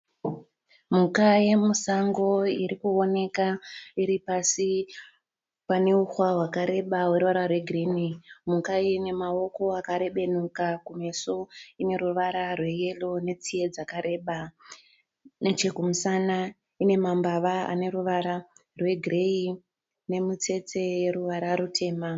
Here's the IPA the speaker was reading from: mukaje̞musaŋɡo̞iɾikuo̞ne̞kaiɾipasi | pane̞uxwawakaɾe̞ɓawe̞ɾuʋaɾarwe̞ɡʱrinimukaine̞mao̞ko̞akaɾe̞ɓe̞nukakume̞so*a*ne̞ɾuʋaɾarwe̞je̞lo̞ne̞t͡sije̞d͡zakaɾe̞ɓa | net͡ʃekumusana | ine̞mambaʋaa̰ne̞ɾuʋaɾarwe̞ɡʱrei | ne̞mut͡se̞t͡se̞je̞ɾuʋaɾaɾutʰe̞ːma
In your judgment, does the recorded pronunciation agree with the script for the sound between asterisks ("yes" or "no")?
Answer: no